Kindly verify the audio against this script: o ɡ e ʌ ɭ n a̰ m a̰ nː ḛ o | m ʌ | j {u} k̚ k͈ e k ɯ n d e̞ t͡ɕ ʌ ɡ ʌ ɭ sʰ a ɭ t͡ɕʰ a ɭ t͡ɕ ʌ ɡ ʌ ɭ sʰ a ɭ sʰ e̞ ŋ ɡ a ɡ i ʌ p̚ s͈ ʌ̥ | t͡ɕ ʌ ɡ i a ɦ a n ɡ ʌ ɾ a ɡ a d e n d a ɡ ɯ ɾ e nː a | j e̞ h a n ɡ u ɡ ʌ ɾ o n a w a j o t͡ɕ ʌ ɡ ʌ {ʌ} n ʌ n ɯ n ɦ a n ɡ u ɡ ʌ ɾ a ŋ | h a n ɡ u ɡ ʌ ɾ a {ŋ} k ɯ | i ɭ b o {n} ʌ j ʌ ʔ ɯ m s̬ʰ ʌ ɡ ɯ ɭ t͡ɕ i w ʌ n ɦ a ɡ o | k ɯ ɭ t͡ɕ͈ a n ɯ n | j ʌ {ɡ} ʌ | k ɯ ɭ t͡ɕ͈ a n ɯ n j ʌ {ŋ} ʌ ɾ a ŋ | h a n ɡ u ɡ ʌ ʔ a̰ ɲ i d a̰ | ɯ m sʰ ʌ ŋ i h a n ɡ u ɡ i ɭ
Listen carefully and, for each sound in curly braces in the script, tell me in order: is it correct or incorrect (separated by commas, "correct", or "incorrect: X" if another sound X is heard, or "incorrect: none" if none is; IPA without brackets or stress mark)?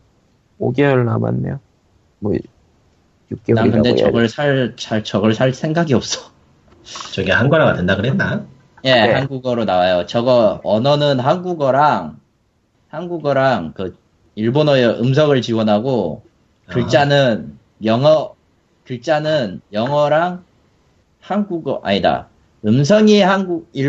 correct, correct, correct, correct, incorrect: ŋ, correct